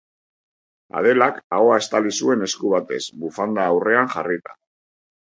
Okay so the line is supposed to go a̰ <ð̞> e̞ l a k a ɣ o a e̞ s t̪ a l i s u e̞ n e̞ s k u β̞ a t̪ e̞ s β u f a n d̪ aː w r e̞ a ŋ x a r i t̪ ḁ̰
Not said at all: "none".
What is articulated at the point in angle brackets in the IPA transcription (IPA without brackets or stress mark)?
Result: ð̞